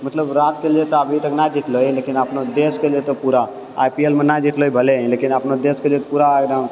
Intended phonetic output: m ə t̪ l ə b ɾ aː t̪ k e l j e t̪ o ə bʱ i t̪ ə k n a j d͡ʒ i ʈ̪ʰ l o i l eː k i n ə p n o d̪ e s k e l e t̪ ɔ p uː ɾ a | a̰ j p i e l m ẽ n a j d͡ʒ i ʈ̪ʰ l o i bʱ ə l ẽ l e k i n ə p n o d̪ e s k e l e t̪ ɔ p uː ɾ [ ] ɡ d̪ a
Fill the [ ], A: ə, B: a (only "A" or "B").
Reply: B